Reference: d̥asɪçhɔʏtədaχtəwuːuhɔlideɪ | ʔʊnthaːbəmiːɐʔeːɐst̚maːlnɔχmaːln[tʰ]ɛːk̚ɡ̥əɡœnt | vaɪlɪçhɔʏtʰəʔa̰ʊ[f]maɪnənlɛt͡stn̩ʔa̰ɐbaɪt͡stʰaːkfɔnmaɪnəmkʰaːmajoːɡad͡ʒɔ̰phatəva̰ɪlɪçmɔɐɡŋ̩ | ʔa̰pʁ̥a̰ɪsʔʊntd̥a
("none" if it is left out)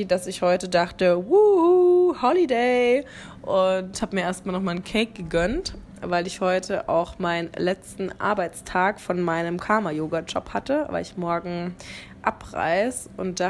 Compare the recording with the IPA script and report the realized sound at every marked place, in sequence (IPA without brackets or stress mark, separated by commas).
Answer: kʰ, x